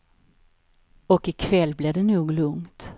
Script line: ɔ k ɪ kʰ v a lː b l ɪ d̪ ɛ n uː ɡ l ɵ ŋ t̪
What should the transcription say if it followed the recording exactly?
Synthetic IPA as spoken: ɔ k ɪ kʰ v ɛ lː b l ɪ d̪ ɛ n uː ɡ l ɵ ŋ t̪